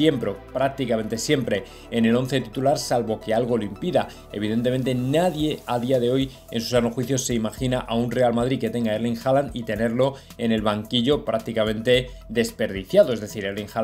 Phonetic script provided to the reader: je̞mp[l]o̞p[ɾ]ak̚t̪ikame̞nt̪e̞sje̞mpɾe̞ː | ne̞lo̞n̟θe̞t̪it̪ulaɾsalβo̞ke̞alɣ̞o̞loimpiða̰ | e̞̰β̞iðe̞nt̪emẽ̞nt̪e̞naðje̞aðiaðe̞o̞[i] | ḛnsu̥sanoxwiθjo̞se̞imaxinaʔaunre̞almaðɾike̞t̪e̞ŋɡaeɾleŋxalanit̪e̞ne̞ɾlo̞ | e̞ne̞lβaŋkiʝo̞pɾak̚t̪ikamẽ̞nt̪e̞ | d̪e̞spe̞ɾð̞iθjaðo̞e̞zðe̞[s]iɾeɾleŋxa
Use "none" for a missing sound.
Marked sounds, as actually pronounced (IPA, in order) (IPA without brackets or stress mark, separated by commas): ɾ, ɾ, j, θ